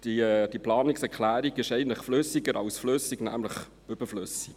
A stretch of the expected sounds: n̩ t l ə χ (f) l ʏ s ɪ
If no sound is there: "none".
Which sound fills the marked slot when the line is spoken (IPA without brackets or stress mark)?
f